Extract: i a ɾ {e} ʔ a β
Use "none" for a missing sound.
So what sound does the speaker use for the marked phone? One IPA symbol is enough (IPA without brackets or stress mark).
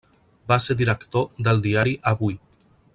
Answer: i